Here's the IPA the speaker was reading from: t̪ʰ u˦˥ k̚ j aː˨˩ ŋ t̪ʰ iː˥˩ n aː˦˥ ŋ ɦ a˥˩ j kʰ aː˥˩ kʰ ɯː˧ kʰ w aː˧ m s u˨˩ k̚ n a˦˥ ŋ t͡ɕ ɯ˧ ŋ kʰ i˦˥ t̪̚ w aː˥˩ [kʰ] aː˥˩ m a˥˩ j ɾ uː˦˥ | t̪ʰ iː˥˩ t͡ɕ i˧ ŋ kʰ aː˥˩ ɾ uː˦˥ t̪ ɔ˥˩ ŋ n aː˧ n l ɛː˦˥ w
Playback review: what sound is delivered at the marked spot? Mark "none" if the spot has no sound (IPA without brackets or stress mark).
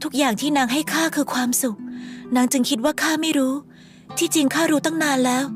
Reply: kʰ